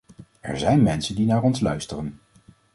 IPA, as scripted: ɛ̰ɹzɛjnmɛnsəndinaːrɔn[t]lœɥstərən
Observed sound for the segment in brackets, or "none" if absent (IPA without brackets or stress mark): s